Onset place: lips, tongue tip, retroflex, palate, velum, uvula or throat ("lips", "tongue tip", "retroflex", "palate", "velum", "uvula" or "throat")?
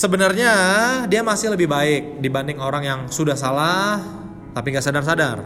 tongue tip